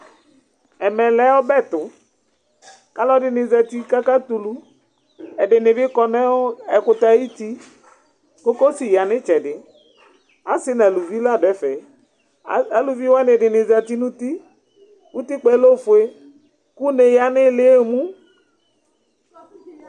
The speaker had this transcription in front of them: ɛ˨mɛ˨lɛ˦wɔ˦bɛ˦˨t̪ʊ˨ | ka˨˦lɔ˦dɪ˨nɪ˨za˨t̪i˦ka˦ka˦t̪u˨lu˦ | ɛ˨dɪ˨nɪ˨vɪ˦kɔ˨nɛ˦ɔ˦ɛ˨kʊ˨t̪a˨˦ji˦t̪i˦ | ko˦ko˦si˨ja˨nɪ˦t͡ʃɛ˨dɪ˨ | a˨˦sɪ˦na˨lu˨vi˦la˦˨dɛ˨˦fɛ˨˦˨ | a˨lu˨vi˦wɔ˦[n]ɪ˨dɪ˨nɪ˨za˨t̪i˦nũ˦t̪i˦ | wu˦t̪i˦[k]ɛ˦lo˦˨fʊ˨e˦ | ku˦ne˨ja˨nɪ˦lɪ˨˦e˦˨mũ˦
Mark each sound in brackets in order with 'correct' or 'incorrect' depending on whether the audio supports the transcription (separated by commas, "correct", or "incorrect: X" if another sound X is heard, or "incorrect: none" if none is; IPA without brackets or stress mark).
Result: correct, incorrect: k͡p